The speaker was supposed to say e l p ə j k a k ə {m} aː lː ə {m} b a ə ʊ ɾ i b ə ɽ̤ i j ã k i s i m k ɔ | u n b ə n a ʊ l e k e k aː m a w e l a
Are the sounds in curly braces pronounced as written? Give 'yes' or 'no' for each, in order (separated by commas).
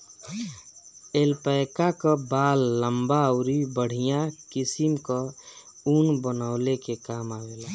no, yes